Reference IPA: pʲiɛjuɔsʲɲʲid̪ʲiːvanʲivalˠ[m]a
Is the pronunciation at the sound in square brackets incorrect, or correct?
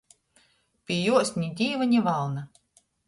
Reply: incorrect